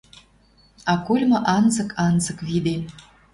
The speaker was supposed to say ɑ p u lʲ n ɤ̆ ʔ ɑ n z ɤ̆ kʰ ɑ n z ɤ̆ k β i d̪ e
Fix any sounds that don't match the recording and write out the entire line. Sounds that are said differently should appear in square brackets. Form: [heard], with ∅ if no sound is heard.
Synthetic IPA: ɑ [k] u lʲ [m] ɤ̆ ʔ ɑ n z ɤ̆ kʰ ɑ n z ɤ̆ k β i d̪ e